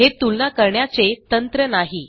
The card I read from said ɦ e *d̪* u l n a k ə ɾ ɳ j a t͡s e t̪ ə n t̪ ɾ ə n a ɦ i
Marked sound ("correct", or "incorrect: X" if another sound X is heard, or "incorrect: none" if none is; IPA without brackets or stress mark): incorrect: t̪